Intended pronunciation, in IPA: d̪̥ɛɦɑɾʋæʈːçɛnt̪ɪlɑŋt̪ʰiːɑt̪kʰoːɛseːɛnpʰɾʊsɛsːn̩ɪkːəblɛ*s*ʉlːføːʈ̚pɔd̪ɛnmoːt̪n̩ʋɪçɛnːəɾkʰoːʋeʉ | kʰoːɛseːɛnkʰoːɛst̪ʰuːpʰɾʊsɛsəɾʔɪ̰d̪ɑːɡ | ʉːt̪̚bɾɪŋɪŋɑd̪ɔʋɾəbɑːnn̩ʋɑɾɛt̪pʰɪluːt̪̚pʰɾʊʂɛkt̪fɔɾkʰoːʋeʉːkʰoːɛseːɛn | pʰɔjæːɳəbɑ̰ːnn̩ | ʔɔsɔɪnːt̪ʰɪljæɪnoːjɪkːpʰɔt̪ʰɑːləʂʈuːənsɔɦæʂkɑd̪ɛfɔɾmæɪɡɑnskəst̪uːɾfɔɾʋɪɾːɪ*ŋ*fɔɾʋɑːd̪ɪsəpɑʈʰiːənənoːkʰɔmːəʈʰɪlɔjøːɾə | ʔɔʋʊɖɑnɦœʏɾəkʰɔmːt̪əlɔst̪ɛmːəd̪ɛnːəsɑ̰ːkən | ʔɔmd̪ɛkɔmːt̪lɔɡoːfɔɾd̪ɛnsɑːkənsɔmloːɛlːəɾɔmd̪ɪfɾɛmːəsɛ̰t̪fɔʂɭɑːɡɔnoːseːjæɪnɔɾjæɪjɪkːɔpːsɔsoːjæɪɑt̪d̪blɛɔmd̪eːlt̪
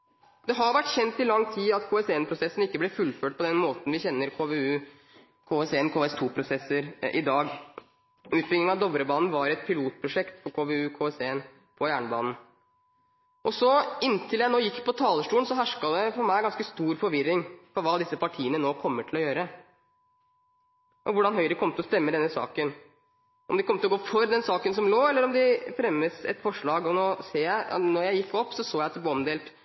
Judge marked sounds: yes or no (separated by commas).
no, yes